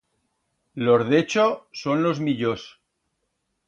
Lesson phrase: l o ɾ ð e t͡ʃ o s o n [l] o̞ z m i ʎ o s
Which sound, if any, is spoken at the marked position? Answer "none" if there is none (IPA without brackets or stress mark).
l